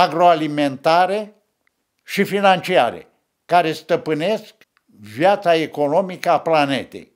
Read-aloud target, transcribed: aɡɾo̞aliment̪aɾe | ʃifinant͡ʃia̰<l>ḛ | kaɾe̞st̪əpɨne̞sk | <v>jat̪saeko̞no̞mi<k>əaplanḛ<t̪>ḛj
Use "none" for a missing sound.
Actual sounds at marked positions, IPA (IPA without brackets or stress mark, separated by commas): ɾ, v, k, t̪